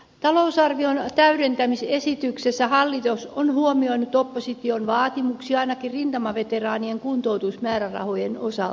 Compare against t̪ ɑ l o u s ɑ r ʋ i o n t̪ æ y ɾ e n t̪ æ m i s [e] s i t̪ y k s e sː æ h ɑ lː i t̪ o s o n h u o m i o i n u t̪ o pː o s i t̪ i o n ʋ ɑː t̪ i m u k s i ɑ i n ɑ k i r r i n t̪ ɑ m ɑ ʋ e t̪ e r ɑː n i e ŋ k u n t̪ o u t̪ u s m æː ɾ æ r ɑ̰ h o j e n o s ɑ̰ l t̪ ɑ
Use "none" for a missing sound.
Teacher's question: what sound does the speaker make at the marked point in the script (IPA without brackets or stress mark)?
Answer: e